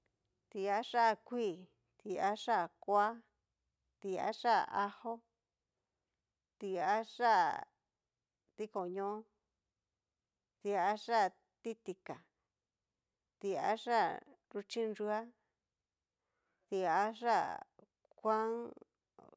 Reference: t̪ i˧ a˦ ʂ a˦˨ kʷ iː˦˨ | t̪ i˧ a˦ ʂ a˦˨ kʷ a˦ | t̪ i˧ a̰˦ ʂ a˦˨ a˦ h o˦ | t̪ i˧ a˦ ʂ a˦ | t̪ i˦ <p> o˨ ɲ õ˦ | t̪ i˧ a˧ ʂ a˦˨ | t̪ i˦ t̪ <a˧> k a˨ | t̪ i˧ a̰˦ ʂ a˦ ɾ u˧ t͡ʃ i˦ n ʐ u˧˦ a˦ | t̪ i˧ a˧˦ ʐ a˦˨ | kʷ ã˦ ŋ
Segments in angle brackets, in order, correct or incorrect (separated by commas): incorrect, incorrect